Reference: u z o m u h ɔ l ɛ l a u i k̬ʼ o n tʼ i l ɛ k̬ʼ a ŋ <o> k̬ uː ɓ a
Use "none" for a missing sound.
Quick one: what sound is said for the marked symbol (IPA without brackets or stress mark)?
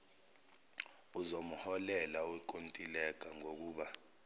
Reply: o